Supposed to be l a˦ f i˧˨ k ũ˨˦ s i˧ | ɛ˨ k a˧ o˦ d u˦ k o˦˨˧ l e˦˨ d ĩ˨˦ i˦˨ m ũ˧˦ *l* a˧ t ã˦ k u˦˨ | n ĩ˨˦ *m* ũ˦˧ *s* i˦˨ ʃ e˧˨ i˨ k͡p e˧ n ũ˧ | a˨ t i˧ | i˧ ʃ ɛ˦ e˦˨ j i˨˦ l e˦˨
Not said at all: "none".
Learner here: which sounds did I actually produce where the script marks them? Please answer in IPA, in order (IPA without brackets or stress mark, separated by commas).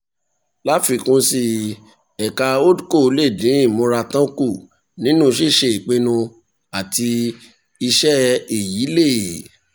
ɾ, n, ʃ